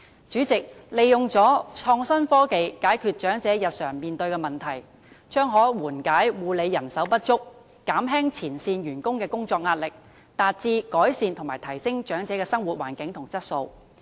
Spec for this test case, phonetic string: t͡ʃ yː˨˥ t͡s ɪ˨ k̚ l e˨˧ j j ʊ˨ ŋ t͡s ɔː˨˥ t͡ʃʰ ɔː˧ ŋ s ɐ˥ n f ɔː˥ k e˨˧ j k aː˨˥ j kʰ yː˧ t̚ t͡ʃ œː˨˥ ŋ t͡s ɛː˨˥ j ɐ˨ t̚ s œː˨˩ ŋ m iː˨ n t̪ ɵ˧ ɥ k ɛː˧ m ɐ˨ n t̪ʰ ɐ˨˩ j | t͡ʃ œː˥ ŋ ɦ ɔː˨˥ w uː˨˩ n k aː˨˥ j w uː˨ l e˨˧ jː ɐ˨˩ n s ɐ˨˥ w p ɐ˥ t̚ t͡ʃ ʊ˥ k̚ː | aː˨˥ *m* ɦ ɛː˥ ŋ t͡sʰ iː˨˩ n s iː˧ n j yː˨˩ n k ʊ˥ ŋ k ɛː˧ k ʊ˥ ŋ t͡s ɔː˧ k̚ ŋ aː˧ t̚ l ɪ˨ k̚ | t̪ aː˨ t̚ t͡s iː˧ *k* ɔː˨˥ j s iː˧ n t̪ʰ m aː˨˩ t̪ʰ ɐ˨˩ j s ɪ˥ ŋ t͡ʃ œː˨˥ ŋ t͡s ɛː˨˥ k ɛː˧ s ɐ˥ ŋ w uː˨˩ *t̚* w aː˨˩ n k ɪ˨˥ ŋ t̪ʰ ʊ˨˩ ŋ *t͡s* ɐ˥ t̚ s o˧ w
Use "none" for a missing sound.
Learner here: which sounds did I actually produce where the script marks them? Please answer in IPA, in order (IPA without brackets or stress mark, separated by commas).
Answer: m, k, t̚, t͡s